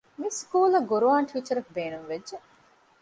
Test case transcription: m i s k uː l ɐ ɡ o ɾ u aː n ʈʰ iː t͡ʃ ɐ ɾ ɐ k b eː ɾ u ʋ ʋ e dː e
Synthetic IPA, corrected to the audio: m i s k uː l ɐ ɡ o ɾ u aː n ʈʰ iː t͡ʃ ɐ ɾ ɐ k b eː ɾ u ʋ ʋ e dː e